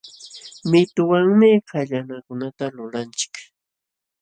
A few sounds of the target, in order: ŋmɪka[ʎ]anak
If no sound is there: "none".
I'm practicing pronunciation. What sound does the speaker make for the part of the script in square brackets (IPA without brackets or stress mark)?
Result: ʎ